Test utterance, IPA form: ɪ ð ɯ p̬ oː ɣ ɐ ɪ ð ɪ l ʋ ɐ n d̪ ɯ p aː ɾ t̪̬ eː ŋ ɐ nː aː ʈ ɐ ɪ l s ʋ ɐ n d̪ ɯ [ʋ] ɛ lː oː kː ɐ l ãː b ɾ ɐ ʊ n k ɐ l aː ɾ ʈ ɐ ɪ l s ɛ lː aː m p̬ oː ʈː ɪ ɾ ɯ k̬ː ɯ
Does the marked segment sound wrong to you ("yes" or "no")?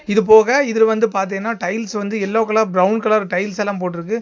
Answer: yes